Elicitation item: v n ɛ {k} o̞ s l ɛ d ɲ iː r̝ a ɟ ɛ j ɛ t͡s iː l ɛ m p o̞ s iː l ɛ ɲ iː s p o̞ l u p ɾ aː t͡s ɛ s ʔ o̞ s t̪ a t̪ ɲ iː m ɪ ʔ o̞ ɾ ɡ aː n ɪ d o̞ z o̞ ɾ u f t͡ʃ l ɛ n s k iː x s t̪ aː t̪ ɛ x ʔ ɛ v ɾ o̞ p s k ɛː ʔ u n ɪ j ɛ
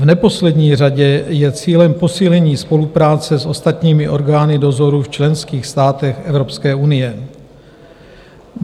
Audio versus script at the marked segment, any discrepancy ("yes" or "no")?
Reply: yes